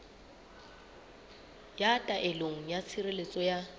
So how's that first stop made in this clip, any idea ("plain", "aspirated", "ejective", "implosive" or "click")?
ejective